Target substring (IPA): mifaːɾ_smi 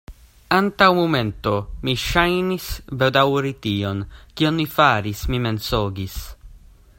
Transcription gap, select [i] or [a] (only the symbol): i